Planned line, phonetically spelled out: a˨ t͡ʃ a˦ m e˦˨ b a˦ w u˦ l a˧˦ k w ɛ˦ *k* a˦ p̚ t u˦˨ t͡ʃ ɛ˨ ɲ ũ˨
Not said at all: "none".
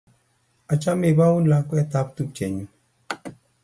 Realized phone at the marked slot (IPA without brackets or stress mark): t